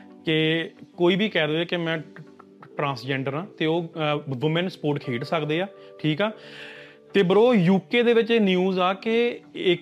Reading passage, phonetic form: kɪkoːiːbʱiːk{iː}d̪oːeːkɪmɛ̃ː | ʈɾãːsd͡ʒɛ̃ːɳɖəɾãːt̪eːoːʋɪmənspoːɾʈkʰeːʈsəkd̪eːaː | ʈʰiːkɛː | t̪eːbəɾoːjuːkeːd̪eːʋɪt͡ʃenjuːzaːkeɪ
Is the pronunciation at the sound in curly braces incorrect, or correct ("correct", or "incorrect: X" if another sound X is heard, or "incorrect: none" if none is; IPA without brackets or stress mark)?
incorrect: ɛː